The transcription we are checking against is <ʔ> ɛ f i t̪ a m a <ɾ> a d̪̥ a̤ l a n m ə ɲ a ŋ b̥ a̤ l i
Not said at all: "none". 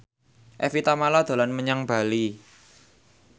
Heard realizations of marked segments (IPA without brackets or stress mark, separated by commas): ʔ, l